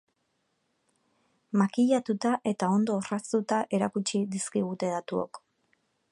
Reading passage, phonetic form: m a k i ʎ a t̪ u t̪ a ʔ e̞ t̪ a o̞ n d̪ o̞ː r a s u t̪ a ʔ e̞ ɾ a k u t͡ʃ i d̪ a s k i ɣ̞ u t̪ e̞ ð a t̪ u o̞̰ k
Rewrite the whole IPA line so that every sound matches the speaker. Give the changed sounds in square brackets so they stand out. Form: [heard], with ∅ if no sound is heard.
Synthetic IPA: m a k i ʎ a t̪ u t̪ a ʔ e̞ t̪ a o̞ n d̪ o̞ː r a s u t̪ a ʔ e̞ ɾ a k u t͡ʃ i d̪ [i] s k i ɣ̞ u t̪ e̞ ð a t̪ u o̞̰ k